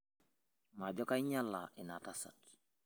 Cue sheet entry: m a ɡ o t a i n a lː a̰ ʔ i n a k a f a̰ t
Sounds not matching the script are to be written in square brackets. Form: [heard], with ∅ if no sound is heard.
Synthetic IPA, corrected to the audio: m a [ɟ] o [k] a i [ɲ] a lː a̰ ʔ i n a [t] a [s] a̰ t